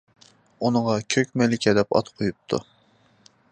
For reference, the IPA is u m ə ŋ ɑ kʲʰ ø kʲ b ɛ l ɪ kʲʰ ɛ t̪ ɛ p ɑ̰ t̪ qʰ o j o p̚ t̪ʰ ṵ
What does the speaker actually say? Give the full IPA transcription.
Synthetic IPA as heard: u n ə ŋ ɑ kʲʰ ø kʲ m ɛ l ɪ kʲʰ ɛ d̪ ɛ p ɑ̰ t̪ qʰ o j u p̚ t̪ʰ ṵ